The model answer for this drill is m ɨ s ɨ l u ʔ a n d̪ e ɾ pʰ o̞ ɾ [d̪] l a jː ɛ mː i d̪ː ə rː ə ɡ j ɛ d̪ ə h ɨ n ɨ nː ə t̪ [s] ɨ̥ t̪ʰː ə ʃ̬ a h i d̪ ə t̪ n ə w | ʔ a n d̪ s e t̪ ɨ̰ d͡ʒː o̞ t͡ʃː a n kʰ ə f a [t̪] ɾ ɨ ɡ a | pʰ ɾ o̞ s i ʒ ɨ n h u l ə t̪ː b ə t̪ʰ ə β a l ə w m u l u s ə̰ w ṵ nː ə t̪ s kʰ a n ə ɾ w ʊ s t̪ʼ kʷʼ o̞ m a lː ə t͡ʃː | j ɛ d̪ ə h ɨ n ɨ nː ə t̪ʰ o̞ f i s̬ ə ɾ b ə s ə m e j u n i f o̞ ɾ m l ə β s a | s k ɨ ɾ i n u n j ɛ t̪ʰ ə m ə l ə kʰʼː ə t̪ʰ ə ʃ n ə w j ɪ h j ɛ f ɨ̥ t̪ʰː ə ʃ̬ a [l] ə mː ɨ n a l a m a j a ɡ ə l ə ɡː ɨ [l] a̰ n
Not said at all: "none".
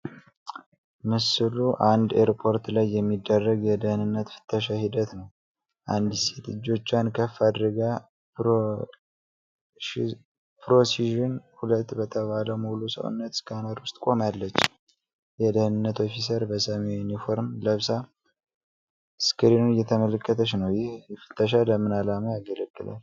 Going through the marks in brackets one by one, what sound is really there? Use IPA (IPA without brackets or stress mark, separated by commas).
t̪, f, d̪, l, l